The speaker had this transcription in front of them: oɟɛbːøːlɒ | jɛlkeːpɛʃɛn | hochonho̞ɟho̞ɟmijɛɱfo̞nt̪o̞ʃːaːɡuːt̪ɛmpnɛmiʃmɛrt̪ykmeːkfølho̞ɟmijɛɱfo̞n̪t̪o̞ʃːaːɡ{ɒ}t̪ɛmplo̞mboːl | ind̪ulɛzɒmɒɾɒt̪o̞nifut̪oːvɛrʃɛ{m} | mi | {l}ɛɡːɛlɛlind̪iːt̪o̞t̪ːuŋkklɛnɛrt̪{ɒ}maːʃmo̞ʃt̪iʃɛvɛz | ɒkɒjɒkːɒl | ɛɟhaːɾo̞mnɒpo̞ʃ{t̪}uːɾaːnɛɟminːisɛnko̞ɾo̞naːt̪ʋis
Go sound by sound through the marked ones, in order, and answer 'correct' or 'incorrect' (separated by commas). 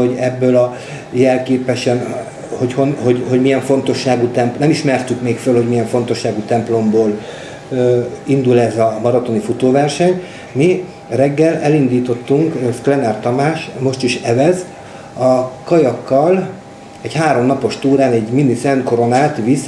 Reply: incorrect, incorrect, incorrect, correct, correct